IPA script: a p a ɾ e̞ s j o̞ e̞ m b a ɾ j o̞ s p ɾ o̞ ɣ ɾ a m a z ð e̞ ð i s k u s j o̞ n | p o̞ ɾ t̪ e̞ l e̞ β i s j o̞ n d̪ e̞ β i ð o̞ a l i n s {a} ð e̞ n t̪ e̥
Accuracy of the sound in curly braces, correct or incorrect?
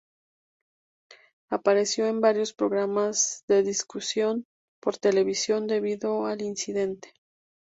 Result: incorrect